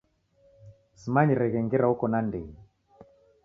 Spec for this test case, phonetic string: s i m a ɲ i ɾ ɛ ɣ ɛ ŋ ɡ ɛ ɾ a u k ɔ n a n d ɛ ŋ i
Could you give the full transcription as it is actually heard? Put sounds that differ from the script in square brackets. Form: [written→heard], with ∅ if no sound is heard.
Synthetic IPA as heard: s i m a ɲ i ɾ ɛ ɣ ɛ ŋ ɡ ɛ ɾ a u k ɔ n a n d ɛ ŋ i